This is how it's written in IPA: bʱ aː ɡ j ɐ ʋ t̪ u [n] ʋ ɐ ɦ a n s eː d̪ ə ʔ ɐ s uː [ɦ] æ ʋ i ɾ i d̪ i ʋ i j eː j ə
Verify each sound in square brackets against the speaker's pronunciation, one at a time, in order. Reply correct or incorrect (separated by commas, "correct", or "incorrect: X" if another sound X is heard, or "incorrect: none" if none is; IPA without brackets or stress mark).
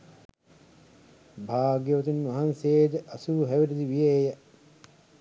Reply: correct, correct